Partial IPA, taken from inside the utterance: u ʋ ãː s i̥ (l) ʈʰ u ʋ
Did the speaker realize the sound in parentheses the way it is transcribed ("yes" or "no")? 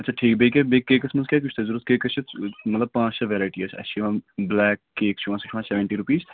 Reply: no